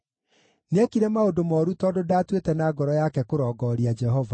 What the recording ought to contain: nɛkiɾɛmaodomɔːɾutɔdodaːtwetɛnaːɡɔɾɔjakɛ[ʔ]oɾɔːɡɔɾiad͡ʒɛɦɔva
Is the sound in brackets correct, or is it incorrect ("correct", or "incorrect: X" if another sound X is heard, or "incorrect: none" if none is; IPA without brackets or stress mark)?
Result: incorrect: k